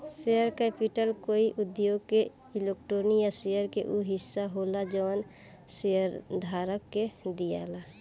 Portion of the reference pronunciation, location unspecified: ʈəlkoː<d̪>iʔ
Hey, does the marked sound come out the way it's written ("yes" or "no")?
no